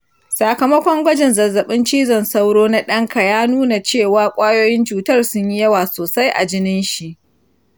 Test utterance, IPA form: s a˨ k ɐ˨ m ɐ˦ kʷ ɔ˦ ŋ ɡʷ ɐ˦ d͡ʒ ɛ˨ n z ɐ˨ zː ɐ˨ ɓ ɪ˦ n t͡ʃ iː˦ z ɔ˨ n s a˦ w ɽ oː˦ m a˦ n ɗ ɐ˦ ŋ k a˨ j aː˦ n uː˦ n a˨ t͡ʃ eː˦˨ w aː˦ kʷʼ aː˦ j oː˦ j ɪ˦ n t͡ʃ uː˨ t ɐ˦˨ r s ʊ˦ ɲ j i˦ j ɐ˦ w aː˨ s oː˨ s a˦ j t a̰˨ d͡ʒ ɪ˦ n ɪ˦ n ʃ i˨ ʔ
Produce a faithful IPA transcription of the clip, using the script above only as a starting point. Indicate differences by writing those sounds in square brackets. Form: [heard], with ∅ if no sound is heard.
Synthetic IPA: s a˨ k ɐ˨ m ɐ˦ kʷ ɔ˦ ŋ ɡʷ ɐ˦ d͡ʒ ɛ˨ n z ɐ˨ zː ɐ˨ ɓ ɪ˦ n t͡ʃ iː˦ z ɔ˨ n s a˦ w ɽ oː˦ [n] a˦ [∅] ɗ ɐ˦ ŋ k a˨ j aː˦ n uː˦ n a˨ t͡ʃ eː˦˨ w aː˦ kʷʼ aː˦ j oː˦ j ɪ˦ n t͡ʃ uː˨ t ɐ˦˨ r s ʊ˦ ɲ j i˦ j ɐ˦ w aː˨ s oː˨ s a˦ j [ʔ] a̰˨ d͡ʒ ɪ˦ n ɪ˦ n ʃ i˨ ʔ